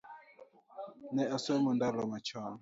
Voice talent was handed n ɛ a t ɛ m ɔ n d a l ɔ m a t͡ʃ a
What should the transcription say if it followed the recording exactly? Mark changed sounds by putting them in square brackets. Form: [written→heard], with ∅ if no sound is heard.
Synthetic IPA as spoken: n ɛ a [t→s] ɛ m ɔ n d a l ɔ m a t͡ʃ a